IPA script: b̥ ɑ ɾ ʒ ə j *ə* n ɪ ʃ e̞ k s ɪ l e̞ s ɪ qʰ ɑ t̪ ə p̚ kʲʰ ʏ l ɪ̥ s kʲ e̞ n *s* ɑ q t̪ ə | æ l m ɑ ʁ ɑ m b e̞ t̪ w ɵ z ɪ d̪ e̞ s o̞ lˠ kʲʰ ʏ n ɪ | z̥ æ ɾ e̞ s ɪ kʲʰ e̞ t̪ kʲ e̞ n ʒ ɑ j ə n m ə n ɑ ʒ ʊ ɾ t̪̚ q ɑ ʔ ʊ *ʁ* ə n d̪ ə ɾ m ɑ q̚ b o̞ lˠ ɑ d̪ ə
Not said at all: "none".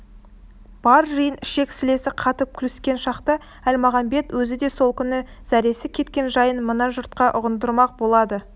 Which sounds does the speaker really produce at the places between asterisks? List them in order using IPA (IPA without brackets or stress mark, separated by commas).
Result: ə, ʃ, ʁ